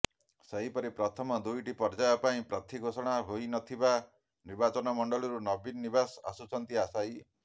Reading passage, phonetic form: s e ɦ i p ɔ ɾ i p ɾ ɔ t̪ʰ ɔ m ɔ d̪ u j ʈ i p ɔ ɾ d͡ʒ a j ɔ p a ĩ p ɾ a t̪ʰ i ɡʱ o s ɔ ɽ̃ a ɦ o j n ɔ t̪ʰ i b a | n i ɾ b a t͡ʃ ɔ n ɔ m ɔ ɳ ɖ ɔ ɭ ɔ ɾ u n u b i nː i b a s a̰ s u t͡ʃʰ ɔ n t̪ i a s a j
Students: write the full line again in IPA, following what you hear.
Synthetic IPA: s e ɦ i p ɔ ɾ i p ɾ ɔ t̪ʰ ɔ m ɔ d̪ u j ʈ i p ɔ ɾ d͡ʒ a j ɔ p a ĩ p ɾ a t̪ʰ i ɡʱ o s ɔ ɽ̃ a ɦ o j n ɔ t̪ʰ i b a | n i ɾ b a t͡ʃ ɔ n ɔ m ɔ ɳ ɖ ɔ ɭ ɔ ɾ u n ɔ b i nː i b a s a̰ s u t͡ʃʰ ɔ n t̪ i a s a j

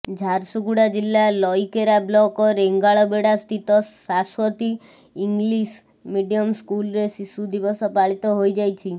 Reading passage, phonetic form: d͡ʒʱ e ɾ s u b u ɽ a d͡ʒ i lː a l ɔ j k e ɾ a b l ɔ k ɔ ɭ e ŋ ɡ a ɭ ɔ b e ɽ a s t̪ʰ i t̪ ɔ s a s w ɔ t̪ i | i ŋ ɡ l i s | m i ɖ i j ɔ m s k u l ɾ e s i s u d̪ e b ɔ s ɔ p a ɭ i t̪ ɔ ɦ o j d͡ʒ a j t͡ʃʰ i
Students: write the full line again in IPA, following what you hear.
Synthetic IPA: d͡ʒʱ a ɾ s u ɡ u ɽ a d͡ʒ i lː a l ɔ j k e ɾ a b l ɔ k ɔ ɾ e ŋ ɡ a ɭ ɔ b e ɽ a s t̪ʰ i t̪ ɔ s a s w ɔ t̪ i | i ŋ ɡ l i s | m i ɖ i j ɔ m s k u l ɾ e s i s u d̪ i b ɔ s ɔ p a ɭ i t̪ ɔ ɦ o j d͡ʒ a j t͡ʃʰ i

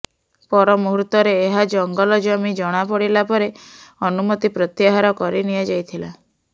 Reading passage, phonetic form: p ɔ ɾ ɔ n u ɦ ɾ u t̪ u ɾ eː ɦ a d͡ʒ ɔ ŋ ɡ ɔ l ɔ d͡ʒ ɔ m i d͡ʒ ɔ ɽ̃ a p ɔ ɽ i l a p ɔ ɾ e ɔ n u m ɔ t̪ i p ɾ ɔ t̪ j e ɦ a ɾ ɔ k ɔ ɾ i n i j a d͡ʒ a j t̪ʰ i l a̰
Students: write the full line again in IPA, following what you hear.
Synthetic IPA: p ɔ ɾ ɔ m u ɦ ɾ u t̪ ɔ ɾ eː ɦ a d͡ʒ ɔ ŋ ɡ ɔ l ɔ d͡ʒ ɔ m i d͡ʒ ɔ ɽ̃ a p ɔ ɽ i l a p ɔ ɾ e ɔ n u m ɔ t̪ i p ɾ ɔ t̪ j a ɦ a ɾ ɔ k ɔ ɾ i n i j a d͡ʒ a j t̪ʰ i l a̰

